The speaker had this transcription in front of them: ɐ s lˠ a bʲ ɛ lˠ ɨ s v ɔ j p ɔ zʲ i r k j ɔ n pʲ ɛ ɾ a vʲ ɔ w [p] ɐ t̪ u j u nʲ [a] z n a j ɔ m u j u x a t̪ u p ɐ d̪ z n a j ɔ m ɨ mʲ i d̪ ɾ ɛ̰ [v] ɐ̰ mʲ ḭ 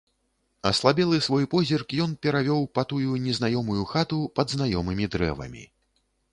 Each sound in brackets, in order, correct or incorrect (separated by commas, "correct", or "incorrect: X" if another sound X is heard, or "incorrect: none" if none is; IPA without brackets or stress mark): correct, incorrect: ɛ, correct